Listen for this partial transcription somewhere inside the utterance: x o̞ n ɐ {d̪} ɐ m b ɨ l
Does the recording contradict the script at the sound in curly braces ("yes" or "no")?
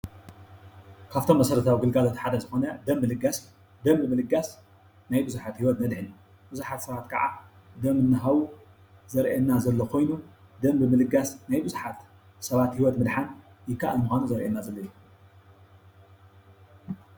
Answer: no